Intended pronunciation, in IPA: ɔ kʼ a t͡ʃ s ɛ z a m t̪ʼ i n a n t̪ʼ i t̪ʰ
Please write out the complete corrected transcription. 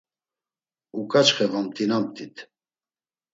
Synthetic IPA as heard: u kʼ a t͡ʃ χ ɛ v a m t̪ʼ i n a m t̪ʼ i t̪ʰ